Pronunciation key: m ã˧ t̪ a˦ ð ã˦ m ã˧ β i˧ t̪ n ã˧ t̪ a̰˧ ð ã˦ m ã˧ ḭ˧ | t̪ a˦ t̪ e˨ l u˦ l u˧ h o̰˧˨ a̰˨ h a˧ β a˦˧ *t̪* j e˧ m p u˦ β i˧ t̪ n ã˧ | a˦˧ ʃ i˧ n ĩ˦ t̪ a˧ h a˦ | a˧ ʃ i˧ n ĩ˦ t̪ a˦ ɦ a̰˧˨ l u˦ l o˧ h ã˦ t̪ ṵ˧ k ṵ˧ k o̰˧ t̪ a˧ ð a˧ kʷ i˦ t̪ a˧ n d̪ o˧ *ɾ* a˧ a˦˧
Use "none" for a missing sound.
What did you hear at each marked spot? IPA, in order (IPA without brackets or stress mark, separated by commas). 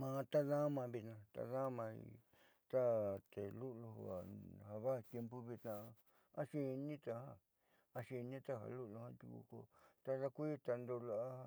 t̪, l